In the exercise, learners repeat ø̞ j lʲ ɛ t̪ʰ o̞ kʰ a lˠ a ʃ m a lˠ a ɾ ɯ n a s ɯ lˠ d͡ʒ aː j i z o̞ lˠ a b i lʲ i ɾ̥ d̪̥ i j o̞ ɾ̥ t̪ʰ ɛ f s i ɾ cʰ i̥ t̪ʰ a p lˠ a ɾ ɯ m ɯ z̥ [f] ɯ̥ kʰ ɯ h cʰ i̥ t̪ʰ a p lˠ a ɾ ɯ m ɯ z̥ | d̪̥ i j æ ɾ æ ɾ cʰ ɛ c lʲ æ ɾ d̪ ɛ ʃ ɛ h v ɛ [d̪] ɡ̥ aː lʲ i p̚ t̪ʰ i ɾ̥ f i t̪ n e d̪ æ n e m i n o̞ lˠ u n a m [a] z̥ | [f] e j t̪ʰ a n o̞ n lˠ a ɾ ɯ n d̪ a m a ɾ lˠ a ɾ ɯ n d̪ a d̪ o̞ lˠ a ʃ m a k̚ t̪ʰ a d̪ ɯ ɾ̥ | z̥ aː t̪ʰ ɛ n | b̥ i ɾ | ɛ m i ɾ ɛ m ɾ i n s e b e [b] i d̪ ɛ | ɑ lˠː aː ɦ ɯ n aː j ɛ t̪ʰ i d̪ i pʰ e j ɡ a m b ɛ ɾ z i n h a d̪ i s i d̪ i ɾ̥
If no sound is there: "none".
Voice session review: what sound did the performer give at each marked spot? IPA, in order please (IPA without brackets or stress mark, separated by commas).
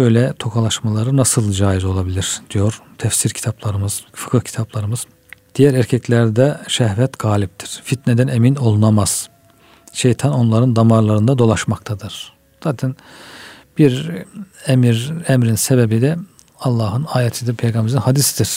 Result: f, t̪, a, ʃ, b